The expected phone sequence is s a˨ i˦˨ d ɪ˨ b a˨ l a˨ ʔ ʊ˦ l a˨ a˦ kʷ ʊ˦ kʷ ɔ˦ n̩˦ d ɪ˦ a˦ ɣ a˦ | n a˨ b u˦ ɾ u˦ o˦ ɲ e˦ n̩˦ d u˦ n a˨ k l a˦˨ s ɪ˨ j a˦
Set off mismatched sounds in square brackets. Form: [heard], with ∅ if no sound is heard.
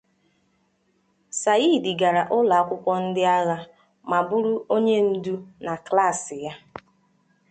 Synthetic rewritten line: s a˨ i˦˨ d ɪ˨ [ɡ] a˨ [ɾ] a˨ ʔ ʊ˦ l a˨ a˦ kʷ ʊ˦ kʷ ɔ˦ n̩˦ d ɪ˦ a˦ ɣ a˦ | [m] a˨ b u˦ ɾ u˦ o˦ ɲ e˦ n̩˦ d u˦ n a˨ k l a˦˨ s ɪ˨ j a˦